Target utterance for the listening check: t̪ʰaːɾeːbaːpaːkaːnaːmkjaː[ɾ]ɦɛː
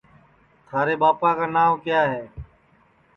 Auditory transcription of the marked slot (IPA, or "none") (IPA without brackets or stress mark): none